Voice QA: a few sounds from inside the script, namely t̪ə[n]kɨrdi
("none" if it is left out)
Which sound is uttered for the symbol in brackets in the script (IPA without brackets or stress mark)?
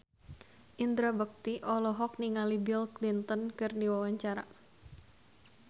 n